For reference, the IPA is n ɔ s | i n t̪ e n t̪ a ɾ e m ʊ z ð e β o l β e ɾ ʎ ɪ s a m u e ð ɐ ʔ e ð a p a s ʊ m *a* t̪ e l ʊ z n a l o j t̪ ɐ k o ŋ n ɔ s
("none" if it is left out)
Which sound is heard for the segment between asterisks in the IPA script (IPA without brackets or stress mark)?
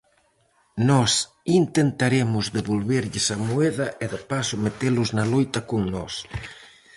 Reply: e